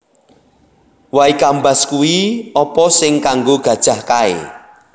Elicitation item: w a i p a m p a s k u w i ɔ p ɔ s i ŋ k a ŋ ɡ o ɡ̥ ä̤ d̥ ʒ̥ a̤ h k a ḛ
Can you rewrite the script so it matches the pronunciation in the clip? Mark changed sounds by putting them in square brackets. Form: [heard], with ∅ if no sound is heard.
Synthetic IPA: w a i [k] a m [b] a s k u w i ɔ p ɔ s [ɪ] ŋ k a ŋ ɡ o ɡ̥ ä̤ d̥ ʒ̥ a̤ h k a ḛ

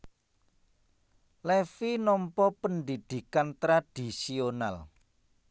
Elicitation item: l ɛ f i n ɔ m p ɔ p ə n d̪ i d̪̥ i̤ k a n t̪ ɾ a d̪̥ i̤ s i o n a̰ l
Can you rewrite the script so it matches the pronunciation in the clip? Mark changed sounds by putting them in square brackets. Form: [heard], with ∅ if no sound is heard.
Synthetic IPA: l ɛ f i n ɔ m p ɔ p ə n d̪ i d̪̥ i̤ k a n t̪ ɾ a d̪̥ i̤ s i o n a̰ l

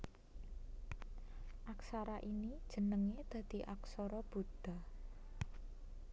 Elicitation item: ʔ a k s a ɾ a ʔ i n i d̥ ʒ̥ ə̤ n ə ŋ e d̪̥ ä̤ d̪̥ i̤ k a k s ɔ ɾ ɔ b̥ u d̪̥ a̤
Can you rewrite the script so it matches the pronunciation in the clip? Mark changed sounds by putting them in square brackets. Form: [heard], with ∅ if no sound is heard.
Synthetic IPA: ʔ a k s a ɾ a ʔ i n i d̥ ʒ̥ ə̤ n ə ŋ e d̪̥ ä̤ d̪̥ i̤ [ʔ] a k s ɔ ɾ ɔ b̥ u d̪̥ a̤

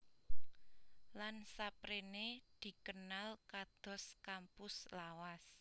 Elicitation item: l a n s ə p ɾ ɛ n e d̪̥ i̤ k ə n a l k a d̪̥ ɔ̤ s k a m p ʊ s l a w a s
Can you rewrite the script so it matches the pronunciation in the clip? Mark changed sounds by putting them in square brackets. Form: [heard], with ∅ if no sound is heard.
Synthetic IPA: l a n s [a] p ɾ [e] n e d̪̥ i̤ k ə n a l k a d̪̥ ɔ̤ s k a m p ʊ s l a w a s

